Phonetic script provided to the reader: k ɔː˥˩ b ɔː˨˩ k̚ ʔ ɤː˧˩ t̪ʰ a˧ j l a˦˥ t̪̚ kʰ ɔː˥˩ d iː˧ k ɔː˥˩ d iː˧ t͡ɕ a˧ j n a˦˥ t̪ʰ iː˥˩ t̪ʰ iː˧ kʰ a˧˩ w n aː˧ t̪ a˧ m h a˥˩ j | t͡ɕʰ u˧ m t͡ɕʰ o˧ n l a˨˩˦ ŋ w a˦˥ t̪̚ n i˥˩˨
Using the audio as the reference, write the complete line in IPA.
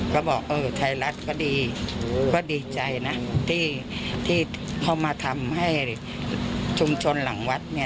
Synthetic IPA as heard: k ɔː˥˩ b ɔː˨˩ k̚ ʔ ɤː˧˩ t̪ʰ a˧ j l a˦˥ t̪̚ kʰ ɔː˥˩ d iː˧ k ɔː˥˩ d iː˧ t͡ɕ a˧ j n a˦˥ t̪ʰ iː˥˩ t̪ʰ iː˥˩ kʰ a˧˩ w m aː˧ t̪ʰ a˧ m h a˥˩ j | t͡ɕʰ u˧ m t͡ɕʰ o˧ n l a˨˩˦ ŋ w a˦˥ t̪̚ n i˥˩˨